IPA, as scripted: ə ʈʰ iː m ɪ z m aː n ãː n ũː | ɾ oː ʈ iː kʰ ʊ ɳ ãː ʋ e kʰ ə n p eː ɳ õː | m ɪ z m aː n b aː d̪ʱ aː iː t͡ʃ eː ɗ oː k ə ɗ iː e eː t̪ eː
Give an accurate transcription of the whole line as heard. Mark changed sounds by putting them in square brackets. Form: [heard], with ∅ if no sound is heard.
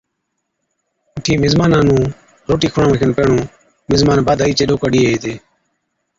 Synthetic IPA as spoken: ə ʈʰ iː m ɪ z m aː n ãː n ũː | ɾ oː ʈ iː kʰ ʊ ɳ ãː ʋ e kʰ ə n p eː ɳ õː | m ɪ z m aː n b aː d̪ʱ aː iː t͡ʃ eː ɗ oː k ə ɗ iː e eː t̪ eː